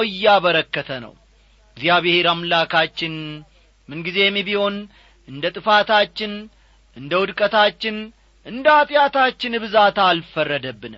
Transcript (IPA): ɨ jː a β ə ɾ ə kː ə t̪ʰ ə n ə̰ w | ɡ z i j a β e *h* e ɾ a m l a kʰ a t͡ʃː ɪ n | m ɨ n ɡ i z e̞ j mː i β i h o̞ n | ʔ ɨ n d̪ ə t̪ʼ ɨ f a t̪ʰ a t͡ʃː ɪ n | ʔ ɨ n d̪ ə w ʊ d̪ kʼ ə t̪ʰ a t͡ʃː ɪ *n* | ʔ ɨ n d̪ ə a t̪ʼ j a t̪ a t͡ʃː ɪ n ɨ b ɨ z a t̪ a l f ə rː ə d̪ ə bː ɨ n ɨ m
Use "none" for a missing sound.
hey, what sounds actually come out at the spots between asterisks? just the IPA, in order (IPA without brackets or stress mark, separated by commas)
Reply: h, n